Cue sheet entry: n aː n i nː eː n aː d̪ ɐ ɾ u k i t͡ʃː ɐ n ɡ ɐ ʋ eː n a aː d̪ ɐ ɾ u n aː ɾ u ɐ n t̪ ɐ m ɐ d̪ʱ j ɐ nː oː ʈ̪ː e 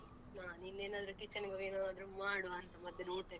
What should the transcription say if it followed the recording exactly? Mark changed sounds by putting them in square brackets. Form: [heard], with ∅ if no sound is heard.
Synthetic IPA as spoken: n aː n i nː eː n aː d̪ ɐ ɾ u k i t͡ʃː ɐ n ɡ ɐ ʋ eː n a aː d̪ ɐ ɾ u [m] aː [ɽ] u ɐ n t̪ ɐ m ɐ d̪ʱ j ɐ [n] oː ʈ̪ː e